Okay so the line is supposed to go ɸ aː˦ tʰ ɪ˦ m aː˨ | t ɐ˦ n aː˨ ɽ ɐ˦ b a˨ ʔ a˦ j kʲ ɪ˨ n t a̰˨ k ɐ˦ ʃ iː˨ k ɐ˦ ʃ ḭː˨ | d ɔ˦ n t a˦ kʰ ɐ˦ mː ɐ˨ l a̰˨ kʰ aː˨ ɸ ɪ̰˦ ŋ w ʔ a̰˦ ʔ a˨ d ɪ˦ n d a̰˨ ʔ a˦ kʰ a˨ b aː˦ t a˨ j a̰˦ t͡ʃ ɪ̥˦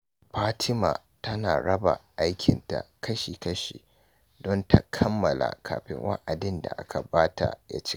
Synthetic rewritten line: ɸ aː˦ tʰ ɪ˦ m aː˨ | t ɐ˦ n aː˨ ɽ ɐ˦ b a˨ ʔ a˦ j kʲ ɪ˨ n t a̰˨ k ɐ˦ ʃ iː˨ k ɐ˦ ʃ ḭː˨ | d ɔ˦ n t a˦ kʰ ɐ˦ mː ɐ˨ l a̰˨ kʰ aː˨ ɸ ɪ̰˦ ŋ w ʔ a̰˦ ʔ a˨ d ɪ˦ n d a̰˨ ʔ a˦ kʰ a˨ b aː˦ t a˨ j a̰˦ t͡ʃ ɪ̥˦